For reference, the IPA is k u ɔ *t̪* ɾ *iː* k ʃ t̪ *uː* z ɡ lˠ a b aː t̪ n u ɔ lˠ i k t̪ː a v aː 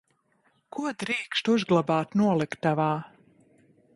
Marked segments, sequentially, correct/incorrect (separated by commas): incorrect, correct, incorrect